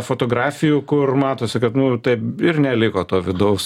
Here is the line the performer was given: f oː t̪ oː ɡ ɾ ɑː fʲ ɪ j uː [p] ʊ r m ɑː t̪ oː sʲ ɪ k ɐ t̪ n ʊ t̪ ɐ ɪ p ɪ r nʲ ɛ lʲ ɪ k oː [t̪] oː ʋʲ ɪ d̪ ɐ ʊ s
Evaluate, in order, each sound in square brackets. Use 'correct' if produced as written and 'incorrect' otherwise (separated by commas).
incorrect, correct